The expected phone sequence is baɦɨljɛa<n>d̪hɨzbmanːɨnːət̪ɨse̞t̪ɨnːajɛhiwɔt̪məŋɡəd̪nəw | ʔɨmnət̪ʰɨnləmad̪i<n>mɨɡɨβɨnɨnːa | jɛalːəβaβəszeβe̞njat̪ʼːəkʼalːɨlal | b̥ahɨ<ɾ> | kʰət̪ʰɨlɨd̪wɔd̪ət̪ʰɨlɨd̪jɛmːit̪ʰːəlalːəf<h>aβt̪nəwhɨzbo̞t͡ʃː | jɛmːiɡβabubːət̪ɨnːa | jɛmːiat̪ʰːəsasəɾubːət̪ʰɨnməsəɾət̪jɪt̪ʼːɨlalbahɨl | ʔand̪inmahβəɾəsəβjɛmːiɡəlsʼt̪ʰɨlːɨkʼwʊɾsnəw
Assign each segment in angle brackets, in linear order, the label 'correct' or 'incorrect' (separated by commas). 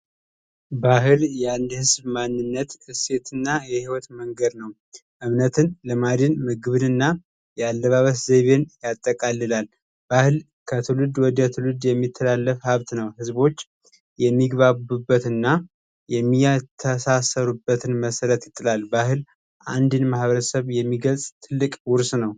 correct, correct, incorrect, correct